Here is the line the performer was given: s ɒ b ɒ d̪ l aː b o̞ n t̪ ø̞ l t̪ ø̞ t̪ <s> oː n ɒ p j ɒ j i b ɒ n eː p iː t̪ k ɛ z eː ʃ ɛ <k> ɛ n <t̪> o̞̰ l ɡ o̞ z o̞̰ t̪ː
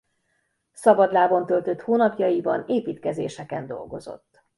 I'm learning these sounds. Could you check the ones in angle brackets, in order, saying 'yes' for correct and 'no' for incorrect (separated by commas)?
no, yes, no